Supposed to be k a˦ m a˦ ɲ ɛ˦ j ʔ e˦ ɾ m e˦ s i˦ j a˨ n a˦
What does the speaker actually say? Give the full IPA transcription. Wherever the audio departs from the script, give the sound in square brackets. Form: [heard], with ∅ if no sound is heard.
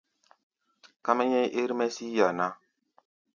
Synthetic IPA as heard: k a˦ m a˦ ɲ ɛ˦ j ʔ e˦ ɾ m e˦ s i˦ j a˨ n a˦